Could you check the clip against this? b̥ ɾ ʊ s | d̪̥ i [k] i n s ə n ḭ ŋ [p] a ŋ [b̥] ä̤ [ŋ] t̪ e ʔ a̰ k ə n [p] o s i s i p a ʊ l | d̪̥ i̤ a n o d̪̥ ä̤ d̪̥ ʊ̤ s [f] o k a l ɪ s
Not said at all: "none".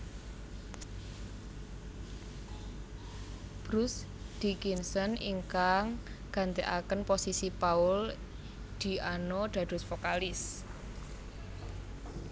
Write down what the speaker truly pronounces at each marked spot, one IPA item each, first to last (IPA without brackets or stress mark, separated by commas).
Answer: k, k, ɡ̥, n, p, f